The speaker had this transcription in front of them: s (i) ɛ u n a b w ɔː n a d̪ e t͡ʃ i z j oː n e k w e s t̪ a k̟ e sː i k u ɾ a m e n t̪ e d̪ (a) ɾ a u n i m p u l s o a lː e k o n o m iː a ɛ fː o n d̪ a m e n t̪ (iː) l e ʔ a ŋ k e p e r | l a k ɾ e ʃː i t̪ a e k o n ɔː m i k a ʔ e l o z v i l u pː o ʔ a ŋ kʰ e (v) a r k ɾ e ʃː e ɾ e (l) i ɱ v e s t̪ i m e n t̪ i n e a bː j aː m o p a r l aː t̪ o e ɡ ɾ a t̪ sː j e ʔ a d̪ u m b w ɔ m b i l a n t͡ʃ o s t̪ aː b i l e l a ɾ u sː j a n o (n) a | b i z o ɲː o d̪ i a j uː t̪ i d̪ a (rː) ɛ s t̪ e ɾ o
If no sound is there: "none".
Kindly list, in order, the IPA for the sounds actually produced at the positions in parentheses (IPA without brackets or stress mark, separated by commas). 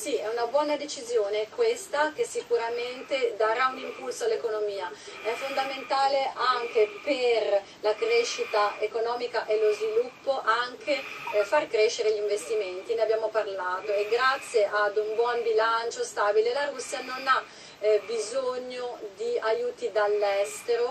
i, a, aː, f, ʎ, n, lː